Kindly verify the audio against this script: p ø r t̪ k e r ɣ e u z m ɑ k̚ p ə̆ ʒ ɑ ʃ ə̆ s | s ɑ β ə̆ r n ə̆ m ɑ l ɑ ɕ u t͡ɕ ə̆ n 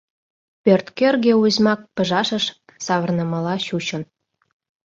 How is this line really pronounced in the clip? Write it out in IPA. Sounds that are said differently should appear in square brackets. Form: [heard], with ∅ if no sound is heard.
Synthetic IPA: p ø r t̪ k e r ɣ e u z m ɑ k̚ p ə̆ ʒ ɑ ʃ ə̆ [ʃ] | s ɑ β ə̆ r n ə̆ m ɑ l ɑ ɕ u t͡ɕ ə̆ n